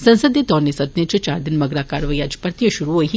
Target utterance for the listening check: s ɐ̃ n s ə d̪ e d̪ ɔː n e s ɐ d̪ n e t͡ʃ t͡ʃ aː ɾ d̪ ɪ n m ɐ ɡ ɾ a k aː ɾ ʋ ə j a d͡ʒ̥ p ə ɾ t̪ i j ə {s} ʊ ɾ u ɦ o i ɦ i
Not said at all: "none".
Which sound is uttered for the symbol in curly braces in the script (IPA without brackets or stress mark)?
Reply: ʃ